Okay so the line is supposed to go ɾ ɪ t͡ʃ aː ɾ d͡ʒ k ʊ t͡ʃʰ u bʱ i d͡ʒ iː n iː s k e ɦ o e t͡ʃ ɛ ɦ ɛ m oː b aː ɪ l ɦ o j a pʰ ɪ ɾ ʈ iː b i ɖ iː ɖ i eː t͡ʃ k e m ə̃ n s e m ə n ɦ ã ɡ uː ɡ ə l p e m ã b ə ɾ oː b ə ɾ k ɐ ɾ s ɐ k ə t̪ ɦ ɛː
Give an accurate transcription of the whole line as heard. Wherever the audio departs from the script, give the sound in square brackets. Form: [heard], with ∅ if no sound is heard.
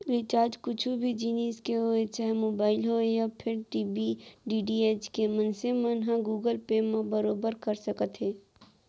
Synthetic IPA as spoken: ɾ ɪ t͡ʃ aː ɾ d͡ʒ k ʊ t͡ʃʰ u bʱ i d͡ʒ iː n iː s k e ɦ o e t͡ʃ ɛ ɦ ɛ m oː b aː ɪ l ɦ o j a pʰ ɪ ɾ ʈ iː b i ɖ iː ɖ i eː t͡ʃ k e m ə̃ n s e m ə n ɦ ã ɡ uː ɡ ə l p e m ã b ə ɾ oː b ə ɾ k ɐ ɾ s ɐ k ə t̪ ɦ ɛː

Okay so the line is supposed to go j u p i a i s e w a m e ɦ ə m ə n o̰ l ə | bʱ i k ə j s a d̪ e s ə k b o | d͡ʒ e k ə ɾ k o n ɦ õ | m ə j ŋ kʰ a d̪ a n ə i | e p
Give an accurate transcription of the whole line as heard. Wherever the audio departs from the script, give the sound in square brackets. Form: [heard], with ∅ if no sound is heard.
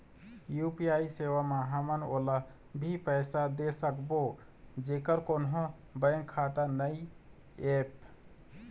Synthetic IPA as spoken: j u p i a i s e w a m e ɦ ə m ə n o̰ l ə | bʱ i [p] ə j s a d̪ e s ə k b o | d͡ʒ e k ə ɾ k o n ɦ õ | [b] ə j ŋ kʰ a [t̪] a n ə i | e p

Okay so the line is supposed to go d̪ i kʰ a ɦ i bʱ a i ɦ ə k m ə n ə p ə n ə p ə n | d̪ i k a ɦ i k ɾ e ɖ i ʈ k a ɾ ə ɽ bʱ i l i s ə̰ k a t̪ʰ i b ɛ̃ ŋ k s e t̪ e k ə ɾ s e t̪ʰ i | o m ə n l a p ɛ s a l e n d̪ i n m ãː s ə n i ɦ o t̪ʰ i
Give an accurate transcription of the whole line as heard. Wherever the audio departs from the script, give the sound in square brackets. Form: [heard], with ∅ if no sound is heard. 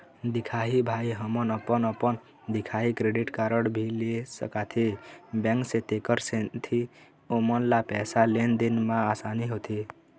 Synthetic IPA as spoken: d̪ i kʰ a ɦ i bʱ a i ɦ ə [∅] m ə n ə p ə n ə p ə n | d̪ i [kʰ] a ɦ i k ɾ e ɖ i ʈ k a ɾ ə ɽ bʱ i l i s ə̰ k a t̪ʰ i b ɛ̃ ŋ k s e t̪ e k ə ɾ s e t̪ʰ i | o m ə n l a p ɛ s a l e n d̪ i n m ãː s [a] n i ɦ o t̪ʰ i

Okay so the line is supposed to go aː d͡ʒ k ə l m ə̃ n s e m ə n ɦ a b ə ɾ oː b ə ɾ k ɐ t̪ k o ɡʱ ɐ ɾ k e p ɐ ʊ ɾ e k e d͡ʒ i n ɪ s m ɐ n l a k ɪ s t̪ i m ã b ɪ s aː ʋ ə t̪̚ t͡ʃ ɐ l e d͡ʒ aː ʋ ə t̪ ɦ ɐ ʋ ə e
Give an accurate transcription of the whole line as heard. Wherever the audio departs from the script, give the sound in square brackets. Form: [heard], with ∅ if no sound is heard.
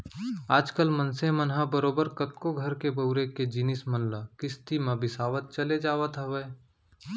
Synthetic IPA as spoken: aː d͡ʒ k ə l m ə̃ n s e m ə n ɦ a b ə ɾ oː b ə ɾ k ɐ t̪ k o ɡʱ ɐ ɾ k e [b] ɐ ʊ ɾ e k e d͡ʒ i n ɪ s m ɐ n l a k ɪ s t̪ i m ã b ɪ s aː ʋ ə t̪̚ t͡ʃ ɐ l e d͡ʒ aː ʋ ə t̪ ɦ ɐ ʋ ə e

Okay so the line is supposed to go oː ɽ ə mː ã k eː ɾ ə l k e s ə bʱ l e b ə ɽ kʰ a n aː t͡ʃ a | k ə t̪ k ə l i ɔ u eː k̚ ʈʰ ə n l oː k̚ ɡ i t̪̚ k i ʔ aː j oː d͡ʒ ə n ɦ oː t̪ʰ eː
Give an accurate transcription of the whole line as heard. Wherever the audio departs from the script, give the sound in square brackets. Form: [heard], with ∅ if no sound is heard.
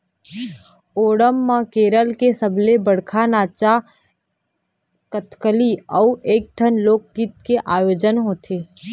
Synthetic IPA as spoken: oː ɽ ə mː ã k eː ɾ ə l k e s ə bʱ l e b ə ɽ kʰ a n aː t͡ʃ a | k ə t̪ k ə l i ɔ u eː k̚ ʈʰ ə n l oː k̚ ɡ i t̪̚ k [e] ʔ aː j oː d͡ʒ ə n ɦ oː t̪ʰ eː

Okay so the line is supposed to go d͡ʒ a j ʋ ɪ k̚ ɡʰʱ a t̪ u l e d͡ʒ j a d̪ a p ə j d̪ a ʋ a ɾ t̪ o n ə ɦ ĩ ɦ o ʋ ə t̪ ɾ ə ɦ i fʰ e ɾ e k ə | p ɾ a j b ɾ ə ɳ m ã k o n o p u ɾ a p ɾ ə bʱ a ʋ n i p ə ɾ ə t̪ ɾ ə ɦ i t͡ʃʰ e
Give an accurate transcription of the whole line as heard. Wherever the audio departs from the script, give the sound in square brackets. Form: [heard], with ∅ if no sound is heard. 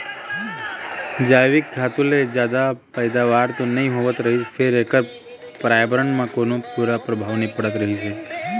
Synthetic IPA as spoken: d͡ʒ a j ʋ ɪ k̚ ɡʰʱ a t̪ u l e d͡ʒ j a d̪ a p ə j d̪ a ʋ a ɾ t̪ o n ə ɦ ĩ ɦ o ʋ ə t̪ ɾ ə ɦ i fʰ e ɾ e k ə | p ɾ a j b ɾ ə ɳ m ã k o n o p u ɾ a p ɾ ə bʱ a ʋ n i p ə [ɽ] ə t̪ ɾ ə ɦ i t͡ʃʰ e

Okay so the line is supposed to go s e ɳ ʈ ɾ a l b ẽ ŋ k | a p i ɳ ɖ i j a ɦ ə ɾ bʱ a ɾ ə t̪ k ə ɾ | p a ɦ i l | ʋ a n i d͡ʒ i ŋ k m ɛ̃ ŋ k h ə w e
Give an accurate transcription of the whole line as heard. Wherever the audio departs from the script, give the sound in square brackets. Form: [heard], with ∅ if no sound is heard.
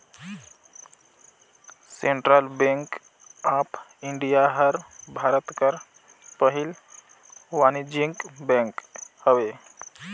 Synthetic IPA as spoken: s e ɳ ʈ ɾ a l b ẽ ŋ k | a p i ɳ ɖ i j a ɦ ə ɾ bʱ a ɾ ə t̪ k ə ɾ | p [ə] ɦ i l | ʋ a n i d͡ʒ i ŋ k [b] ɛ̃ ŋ k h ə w e

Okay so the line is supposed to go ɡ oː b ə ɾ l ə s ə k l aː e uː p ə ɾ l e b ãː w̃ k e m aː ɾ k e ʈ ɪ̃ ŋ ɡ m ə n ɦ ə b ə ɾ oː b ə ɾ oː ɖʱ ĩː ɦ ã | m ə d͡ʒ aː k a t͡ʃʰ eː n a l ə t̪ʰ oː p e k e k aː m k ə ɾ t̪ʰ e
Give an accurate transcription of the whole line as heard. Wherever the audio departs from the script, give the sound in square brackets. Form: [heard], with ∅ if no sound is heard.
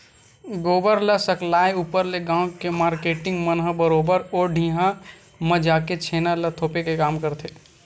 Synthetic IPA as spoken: ɡ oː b ə ɾ l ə s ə k l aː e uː p ə ɾ l e [ɡ] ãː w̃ k e m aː ɾ k e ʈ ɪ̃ ŋ ɡ m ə n ɦ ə b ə ɾ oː b ə ɾ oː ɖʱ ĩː ɦ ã | m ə d͡ʒ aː k [e] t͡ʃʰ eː n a l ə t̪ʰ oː p e k e k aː m k ə ɾ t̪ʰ e

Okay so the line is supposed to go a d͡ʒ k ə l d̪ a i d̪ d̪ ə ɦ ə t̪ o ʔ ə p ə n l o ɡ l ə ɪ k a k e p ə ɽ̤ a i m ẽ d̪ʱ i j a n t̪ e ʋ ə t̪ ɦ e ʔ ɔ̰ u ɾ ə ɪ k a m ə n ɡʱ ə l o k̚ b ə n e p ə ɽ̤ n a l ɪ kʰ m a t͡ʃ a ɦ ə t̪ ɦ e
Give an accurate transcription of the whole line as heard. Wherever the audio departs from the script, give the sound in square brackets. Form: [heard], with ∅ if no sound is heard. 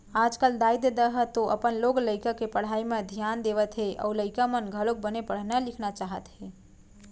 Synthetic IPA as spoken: a d͡ʒ k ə l d̪ a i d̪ d̪ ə ɦ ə t̪ o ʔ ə p ə n l o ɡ l ə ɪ k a k e p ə ɽ̤ a i m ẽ d̪ʱ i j a n [d̪] e ʋ ə t̪ ɦ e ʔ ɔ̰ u [l] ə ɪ k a m ə n ɡʱ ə l o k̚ b ə n e p ə ɽ̤ n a l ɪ kʰ [n] a t͡ʃ a ɦ ə t̪ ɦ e

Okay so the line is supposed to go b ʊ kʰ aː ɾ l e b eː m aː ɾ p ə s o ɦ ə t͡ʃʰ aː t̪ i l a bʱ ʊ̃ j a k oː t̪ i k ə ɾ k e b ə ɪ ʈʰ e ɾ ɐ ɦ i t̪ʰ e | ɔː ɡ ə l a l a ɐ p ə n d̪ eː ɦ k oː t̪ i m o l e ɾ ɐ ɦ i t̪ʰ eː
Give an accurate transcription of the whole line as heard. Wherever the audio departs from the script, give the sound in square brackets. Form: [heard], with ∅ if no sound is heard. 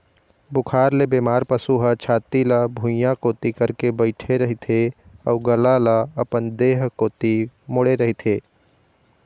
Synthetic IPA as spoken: b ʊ kʰ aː ɾ l e b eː m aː ɾ p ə s [u] ɦ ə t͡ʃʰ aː t̪ i l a bʱ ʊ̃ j a k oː t̪ i k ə ɾ k e b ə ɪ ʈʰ e ɾ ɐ ɦ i t̪ʰ e | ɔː ɡ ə l a l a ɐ p ə n d̪ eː ɦ k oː t̪ i m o [ɽ] e ɾ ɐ ɦ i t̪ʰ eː

